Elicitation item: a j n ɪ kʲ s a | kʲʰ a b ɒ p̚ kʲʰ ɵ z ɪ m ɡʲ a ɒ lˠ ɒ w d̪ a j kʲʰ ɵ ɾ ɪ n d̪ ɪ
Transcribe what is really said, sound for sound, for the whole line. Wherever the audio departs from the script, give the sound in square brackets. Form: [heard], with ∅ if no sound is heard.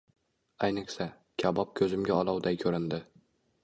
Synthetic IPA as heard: a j n ɪ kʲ s a | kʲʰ a b ɒ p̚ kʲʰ ɵ z ɪ m ɡʲ a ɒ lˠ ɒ w d̪ a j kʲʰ ɵ ɾ ɪ n d̪ ɪ